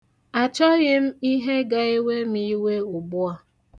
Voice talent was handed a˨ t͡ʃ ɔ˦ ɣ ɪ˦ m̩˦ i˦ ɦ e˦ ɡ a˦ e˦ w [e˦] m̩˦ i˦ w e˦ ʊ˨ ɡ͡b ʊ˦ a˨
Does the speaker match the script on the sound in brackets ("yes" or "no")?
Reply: yes